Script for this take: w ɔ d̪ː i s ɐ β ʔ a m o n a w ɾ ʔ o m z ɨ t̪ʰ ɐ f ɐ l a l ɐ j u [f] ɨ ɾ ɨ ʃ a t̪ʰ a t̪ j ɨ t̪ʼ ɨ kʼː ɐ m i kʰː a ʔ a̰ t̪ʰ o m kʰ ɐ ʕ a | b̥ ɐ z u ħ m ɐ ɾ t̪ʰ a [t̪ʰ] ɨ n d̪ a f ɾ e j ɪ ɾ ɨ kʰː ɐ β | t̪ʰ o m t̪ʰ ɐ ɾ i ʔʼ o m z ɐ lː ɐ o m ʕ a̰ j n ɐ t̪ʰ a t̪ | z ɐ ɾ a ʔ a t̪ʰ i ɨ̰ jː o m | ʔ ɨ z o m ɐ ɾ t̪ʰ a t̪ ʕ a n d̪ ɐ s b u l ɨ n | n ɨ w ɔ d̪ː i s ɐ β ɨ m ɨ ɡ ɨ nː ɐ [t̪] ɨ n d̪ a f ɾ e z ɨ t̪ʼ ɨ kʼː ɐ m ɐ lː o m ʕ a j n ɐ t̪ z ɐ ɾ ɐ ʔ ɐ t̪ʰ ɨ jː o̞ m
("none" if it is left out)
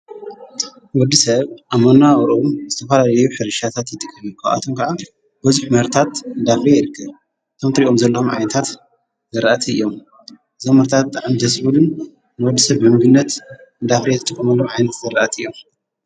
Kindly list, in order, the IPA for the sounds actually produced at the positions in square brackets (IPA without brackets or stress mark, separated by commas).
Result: ħ, t̪, t̪